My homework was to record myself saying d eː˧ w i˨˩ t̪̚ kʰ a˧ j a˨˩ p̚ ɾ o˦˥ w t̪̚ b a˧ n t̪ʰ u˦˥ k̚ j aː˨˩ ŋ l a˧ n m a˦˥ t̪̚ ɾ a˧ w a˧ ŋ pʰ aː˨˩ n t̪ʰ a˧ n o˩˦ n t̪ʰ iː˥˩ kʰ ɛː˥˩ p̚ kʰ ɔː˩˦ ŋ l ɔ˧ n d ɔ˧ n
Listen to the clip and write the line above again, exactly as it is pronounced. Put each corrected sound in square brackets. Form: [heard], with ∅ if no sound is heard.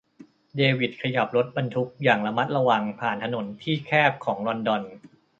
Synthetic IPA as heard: d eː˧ w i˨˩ t̪̚ kʰ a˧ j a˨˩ p̚ ɾ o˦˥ [∅] t̪̚ b a˧ n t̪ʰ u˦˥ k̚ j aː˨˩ ŋ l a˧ [∅] m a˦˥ t̪̚ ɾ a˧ w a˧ ŋ pʰ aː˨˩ n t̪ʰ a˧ n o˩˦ n t̪ʰ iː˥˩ kʰ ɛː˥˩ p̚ kʰ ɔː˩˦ ŋ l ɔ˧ n d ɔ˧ n